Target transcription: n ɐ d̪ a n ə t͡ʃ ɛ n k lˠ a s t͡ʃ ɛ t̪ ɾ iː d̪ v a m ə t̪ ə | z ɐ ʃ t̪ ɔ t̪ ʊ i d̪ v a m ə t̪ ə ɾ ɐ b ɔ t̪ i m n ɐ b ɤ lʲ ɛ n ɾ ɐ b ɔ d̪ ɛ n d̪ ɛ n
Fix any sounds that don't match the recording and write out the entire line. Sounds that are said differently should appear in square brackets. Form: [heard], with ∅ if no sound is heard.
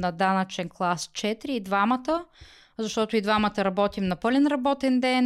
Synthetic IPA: n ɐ d̪ a n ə t͡ʃ ɛ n k lˠ a s t͡ʃ ɛ t̪ ɾ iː d̪ v a m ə t̪ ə | z ɐ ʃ t̪ ɔ t̪ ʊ i d̪ v a m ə t̪ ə ɾ ɐ b ɔ t̪ i m n ɐ [p] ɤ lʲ ɛ n ɾ ɐ b ɔ [t̪] ɛ n d̪ ɛ n